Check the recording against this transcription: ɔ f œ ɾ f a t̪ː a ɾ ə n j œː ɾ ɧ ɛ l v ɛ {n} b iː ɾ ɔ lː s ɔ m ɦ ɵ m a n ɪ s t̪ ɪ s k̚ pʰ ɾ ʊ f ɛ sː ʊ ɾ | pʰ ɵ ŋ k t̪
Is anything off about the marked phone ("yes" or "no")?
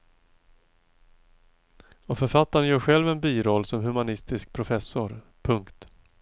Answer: no